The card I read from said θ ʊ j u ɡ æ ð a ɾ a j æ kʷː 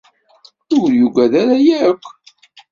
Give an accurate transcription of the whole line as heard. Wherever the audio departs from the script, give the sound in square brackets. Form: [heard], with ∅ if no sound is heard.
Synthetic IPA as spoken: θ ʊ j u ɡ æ ð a ɾ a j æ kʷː